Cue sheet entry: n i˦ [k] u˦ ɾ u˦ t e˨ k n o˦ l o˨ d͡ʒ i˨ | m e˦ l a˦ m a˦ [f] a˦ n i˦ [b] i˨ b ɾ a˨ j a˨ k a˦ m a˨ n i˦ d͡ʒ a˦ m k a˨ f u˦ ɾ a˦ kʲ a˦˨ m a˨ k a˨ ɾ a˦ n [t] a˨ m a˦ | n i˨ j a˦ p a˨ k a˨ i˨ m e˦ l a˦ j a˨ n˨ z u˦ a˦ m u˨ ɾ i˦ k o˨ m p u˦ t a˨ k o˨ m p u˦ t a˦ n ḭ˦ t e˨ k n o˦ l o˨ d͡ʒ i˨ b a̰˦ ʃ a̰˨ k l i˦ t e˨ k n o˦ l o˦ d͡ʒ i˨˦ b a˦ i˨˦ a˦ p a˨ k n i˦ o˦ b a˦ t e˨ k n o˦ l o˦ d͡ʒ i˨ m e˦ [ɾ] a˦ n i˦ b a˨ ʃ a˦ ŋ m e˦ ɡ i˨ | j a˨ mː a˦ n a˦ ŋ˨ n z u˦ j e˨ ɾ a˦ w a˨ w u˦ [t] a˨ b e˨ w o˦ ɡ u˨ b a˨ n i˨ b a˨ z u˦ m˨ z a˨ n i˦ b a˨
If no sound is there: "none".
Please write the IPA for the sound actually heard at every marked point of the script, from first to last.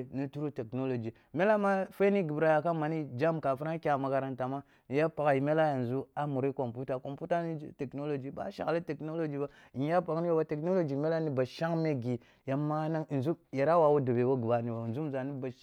t, f, ɡ, t, l, d

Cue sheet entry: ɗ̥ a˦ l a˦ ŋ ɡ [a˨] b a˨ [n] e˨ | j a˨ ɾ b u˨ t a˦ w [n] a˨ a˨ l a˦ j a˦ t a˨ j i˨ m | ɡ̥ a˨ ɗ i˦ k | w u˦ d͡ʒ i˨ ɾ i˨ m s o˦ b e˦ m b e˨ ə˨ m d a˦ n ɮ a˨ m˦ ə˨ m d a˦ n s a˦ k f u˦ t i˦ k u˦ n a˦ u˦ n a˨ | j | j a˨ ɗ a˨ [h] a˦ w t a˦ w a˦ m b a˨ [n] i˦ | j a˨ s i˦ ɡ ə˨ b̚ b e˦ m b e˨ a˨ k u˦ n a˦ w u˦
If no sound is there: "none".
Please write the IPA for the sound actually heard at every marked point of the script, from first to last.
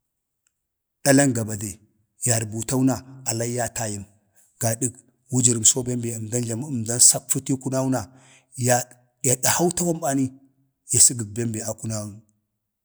a˨, d, n, h, n

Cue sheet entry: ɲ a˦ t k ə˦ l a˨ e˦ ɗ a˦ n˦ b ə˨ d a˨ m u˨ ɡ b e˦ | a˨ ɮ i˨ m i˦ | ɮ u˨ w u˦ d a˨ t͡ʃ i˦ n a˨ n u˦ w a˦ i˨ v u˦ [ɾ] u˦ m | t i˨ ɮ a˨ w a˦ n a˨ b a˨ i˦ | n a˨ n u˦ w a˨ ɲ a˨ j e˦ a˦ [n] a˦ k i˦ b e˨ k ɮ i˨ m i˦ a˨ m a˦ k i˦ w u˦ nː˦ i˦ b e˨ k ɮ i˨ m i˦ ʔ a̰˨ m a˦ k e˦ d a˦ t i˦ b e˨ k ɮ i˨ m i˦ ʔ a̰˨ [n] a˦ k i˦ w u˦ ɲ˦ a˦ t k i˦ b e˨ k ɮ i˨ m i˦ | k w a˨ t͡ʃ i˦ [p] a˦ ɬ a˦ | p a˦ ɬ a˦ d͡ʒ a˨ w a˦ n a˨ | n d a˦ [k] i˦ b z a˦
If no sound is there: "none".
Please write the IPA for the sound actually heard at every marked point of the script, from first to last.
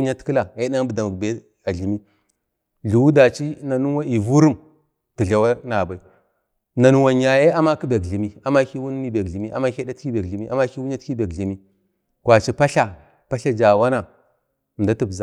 ɾ, m, m, p, t

